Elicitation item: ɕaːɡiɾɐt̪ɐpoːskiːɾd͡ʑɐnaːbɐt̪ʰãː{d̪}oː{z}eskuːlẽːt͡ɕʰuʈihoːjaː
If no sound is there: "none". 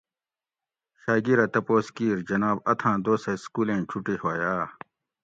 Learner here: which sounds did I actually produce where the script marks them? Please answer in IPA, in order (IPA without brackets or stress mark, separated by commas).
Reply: d̪, s